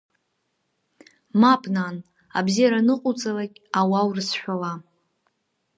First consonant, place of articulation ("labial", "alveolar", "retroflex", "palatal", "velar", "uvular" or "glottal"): labial